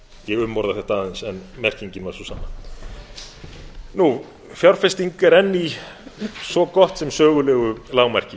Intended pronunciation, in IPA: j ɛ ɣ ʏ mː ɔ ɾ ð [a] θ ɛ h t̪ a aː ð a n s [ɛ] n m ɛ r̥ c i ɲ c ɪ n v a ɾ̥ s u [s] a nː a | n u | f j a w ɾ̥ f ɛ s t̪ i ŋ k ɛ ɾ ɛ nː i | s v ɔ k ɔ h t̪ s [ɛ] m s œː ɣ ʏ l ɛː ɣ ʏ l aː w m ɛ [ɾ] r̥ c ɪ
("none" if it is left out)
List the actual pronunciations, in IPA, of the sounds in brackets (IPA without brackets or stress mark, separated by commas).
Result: a, ɛ, s, ɛ, none